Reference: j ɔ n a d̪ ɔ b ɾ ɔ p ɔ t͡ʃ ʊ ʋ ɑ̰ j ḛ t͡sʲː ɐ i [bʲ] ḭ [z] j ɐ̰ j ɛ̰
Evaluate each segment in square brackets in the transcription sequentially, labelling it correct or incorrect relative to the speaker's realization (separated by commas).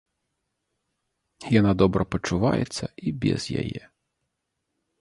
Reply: correct, correct